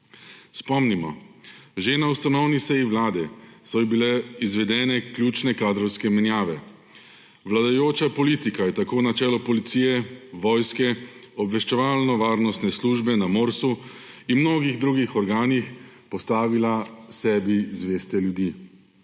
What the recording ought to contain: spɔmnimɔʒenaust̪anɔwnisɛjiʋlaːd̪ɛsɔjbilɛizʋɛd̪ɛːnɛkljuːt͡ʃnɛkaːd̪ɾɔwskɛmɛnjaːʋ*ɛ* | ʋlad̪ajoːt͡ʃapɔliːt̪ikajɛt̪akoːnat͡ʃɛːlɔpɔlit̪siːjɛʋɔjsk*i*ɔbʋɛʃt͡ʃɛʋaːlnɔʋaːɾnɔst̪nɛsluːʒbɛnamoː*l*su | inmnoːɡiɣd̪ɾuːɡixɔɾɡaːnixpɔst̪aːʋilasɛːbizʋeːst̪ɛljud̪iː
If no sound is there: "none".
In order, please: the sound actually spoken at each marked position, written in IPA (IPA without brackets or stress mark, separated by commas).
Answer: ɛ, ɛ, ɾ